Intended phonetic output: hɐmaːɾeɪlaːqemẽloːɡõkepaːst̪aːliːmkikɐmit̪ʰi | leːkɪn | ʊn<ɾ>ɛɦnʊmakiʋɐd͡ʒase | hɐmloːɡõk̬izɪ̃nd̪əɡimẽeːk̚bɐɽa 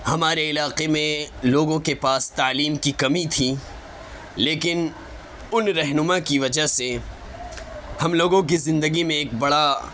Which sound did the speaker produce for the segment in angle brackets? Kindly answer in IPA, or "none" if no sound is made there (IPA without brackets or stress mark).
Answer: ɾ